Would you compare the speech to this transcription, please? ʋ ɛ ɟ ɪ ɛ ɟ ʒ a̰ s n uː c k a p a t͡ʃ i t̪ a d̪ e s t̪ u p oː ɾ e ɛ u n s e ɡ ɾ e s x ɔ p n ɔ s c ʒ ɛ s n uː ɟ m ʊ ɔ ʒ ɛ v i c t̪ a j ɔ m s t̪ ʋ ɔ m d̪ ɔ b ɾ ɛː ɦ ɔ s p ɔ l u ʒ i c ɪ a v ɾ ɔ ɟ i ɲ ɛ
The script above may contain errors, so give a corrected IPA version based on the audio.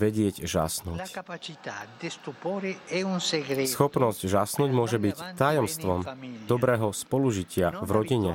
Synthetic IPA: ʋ ɛ ɟ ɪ ɛ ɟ ʒ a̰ s n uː c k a p a t͡ʃ i t̪ a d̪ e s t̪ u p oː ɾ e ɛ u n s e ɡ ɾ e s x ɔ p n ɔ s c ʒ a s n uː ɟ m ʊ ɔ ʒ ɛ b i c t̪ a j ɔ m s t̪ ʋ ɔ m d̪ ɔ b ɾ ɛː ɦ ɔ s p ɔ l u ʒ i c ɪ a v ɾ ɔ ɟ i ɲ ɛ